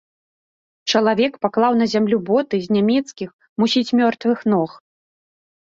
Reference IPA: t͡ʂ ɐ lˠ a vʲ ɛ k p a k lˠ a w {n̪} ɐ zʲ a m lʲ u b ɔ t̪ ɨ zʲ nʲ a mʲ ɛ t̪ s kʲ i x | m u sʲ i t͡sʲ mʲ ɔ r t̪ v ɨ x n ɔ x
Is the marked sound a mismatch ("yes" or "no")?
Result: no